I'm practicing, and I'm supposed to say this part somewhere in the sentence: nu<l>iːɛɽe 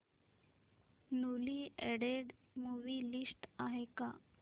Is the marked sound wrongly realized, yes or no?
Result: no